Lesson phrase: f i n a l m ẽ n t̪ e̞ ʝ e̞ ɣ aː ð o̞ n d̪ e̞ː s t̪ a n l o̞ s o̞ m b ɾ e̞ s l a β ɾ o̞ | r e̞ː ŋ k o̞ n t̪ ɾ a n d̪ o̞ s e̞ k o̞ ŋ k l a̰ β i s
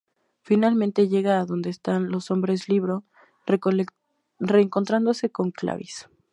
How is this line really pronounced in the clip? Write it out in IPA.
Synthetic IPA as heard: f i n a l m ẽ n t̪ e̞ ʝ e̞ ɣ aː ð o̞ n d̪ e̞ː s t̪ a n l o̞ s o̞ m b ɾ e̞ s l i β ɾ o̞ | r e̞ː ŋ k o̞ n t̪ ɾ a n d̪ o̞ s e̞ k o̞ ŋ k l a̰ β i s